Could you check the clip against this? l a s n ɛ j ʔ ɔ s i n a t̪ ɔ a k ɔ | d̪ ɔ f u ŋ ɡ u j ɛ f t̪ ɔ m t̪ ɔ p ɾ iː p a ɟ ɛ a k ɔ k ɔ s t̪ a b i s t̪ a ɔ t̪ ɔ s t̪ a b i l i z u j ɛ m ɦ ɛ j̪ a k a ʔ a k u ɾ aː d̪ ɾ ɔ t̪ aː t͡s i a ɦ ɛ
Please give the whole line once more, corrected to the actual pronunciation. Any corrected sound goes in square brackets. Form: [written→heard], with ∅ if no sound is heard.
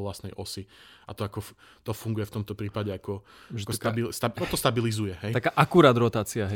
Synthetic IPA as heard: l a s n ɛ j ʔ ɔ s i [n→∅] a t̪ ɔ a k ɔ | [d̪→t̪] ɔ f u ŋ ɡ u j ɛ f t̪ ɔ m t̪ ɔ p ɾ iː p a ɟ ɛ a k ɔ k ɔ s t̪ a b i s t̪ a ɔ t̪ ɔ s t̪ a b i l i z u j ɛ [m→∅] ɦ ɛ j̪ a k a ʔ a k u ɾ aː d̪ ɾ ɔ t̪ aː t͡s i a ɦ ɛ